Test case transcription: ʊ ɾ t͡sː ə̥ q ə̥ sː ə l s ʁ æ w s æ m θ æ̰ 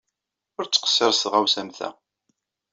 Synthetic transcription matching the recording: ʊ ɾ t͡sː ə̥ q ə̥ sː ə ɾ s ʁ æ w s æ m θ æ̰